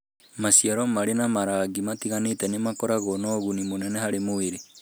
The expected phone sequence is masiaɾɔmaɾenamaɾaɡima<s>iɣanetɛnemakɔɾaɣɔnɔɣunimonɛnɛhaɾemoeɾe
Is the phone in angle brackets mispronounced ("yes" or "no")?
yes